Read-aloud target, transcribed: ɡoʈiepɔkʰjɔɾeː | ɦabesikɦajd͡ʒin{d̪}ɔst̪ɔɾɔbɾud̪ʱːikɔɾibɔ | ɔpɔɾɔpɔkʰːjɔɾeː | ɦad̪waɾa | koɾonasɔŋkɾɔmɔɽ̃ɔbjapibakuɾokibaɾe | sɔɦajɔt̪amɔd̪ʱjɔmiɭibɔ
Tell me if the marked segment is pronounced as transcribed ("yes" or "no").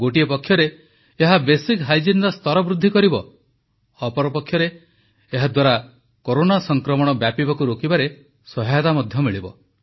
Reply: yes